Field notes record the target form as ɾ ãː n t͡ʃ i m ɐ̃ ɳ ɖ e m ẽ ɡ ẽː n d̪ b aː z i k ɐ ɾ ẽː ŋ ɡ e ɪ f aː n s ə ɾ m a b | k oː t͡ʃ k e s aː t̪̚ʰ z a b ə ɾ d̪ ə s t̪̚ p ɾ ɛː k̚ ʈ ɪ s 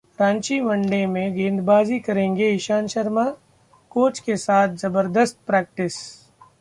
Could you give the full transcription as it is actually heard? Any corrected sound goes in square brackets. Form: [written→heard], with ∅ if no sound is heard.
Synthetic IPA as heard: ɾ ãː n t͡ʃ i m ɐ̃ ɳ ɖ e m ẽ ɡ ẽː n d̪ b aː z i k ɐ ɾ ẽː ŋ ɡ e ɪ [f→ʃ] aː n [s→ʃ] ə ɾ m a [b→∅] | k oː t͡ʃ k e s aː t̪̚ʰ z [a→ɐ] b ə ɾ d̪ ə s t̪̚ p ɾ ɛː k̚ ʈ ɪ s